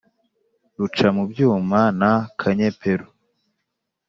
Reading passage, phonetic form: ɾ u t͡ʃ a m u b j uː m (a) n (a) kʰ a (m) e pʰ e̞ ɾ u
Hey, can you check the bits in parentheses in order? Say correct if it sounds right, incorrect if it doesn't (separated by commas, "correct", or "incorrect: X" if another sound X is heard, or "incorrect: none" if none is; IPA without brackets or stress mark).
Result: correct, correct, incorrect: ɲ